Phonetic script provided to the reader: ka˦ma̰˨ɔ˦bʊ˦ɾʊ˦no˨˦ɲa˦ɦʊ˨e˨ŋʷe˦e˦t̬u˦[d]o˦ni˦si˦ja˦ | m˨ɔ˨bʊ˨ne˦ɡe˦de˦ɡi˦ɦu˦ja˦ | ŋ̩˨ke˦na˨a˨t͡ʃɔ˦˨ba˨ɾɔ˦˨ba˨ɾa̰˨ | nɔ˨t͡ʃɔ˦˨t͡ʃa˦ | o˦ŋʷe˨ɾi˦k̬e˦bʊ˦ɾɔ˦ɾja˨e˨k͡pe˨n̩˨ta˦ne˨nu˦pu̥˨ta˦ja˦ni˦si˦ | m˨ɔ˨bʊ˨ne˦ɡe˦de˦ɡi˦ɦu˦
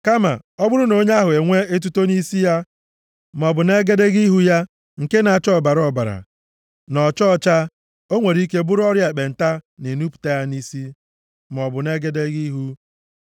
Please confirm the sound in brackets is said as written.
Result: no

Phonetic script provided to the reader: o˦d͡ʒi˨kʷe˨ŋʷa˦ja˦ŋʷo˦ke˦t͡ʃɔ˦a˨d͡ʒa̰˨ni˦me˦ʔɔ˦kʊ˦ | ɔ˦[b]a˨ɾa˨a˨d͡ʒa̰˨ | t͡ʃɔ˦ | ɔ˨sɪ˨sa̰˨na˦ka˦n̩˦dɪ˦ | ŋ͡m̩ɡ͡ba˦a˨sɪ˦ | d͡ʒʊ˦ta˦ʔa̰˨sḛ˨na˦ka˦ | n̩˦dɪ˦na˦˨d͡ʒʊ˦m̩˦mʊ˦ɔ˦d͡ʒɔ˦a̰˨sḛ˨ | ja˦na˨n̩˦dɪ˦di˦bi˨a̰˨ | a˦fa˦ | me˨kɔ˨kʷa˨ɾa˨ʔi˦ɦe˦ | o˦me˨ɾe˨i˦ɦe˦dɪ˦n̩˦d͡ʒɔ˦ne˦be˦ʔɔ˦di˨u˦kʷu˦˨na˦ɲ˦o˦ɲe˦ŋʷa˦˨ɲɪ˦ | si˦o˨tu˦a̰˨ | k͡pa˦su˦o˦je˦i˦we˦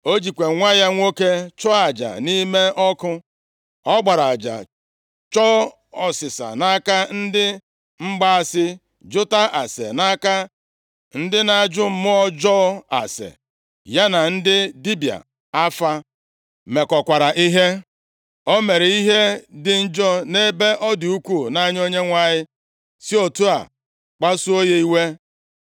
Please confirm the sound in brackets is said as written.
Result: no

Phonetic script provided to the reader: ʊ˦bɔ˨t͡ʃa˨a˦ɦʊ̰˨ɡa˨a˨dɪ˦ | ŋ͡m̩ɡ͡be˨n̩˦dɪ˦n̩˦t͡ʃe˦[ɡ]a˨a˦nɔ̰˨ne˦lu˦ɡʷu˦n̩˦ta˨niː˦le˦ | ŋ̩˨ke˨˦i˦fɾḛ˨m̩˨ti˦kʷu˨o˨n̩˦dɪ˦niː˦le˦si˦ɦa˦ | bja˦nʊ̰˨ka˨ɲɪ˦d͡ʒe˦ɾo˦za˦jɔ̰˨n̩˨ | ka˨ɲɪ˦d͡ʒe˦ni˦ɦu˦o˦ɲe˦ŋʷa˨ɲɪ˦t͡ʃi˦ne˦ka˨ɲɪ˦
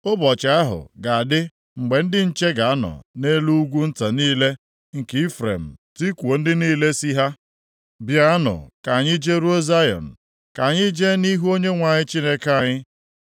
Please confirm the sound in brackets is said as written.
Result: yes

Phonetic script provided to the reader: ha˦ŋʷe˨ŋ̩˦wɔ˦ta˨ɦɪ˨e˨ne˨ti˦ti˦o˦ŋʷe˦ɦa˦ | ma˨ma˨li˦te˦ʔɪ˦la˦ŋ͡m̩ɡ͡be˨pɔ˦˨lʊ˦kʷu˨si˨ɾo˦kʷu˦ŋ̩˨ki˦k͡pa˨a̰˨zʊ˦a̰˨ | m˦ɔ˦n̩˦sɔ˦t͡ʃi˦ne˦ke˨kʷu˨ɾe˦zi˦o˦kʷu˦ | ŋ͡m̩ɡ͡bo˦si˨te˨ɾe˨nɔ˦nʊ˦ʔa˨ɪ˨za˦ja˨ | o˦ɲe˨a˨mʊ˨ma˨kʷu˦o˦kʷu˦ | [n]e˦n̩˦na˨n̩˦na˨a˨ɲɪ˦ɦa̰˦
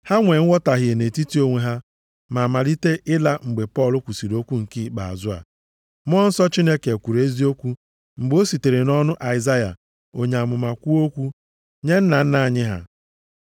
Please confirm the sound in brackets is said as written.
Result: no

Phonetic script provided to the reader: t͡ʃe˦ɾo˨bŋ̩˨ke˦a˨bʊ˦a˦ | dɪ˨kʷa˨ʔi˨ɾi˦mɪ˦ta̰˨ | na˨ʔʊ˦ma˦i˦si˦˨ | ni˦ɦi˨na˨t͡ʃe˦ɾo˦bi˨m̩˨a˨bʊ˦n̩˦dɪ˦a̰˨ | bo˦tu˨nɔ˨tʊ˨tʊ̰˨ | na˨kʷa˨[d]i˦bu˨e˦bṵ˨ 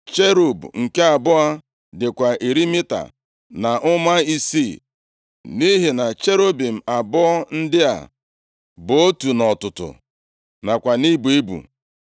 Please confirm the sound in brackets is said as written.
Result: no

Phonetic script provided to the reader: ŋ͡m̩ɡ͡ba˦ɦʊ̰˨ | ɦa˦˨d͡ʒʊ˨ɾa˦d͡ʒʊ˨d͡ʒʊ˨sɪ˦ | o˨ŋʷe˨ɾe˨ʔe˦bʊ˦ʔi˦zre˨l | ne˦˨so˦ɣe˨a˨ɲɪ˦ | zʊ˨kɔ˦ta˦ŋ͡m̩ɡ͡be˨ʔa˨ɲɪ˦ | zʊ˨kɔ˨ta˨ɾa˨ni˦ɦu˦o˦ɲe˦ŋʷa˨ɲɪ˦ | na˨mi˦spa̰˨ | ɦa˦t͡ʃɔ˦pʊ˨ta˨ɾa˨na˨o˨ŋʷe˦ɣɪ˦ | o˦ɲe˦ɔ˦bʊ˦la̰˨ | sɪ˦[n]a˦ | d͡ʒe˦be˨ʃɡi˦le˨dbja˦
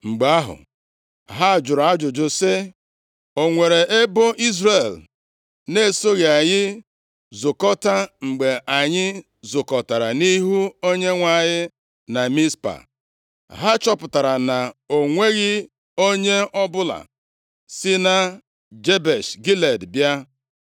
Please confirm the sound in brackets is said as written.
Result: yes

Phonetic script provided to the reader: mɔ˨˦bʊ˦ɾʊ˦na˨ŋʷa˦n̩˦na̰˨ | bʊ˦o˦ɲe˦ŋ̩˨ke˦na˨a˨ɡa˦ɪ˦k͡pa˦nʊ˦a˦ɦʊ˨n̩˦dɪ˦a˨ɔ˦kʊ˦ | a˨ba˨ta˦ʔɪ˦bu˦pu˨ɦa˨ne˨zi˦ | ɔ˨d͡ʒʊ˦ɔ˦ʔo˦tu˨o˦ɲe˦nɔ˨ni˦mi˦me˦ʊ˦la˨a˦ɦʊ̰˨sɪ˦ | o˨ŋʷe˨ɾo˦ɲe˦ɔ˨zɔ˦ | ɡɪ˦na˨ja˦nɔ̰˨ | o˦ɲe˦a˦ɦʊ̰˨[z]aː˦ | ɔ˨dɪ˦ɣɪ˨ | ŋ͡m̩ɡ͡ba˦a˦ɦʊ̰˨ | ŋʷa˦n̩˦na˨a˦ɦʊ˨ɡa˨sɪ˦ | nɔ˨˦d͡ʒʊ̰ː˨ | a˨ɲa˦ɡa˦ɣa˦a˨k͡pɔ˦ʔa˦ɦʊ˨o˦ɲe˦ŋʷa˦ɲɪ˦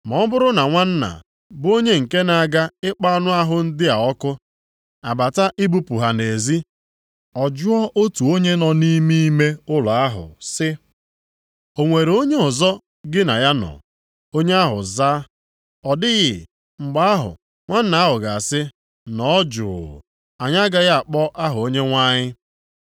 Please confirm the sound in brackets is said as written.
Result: yes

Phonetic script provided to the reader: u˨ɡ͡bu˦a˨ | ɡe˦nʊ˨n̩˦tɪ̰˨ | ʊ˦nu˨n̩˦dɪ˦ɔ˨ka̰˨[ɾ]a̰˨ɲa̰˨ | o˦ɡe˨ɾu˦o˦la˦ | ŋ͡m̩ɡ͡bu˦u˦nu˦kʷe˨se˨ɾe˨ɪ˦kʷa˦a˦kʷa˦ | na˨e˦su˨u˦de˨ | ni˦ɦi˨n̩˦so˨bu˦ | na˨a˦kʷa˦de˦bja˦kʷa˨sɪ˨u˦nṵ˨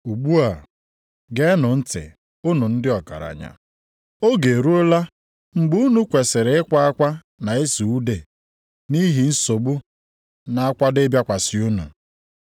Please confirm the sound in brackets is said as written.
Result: yes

